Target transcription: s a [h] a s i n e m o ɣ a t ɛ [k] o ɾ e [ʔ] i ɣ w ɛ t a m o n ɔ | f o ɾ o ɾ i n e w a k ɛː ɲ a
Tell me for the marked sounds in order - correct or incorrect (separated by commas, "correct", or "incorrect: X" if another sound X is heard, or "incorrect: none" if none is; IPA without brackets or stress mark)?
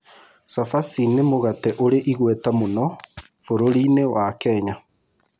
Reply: incorrect: f, incorrect: ʔ, correct